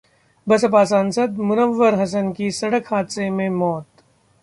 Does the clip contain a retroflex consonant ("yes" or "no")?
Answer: yes